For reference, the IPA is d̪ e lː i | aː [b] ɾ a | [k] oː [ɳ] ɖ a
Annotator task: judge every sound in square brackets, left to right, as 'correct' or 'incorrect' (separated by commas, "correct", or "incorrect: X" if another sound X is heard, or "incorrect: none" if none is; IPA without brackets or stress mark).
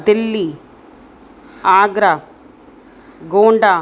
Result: incorrect: ɡ, incorrect: ɡ, correct